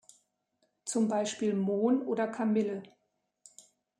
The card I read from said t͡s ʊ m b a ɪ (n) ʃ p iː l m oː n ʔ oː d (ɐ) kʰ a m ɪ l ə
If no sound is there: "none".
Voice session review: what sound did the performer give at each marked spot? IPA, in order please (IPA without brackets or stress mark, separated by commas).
none, ɐ